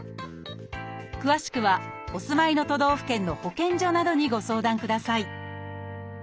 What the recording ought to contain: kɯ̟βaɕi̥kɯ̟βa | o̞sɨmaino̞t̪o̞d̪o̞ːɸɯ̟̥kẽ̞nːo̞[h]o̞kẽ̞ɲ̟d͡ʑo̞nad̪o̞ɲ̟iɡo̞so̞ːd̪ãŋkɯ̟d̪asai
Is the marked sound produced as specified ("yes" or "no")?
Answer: yes